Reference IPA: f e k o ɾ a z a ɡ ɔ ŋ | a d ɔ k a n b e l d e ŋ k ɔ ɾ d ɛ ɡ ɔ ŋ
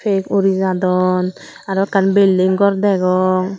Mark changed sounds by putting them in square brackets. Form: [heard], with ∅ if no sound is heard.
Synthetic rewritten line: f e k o ɾ [i] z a [d] ɔ [n] | a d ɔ k a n b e l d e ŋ [ɡ] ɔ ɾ d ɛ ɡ ɔ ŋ